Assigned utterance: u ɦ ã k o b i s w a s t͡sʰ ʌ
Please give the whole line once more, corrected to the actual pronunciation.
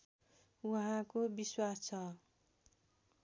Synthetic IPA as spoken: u ɦ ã k o b i s w a s t͡sʰ ʌ